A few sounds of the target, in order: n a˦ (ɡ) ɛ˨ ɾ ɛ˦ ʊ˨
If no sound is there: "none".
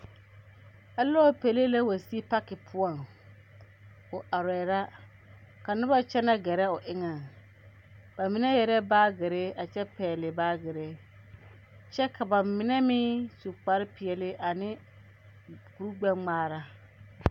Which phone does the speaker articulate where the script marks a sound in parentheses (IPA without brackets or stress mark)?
ɡ